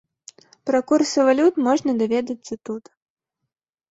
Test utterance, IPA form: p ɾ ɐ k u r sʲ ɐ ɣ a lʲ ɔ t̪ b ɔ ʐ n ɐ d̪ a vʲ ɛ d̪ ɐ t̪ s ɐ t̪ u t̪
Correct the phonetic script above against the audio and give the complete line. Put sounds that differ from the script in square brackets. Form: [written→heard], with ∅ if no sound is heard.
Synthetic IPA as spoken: p ɾ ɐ k u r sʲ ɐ [ɣ→v] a lʲ [ɔ→u] t̪ [b→m] ɔ ʐ n ɐ d̪ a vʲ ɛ d̪ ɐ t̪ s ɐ t̪ u t̪